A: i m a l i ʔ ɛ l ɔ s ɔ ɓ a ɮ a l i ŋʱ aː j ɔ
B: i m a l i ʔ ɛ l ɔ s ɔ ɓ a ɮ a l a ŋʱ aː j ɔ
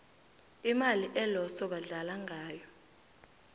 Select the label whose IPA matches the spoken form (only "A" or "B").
B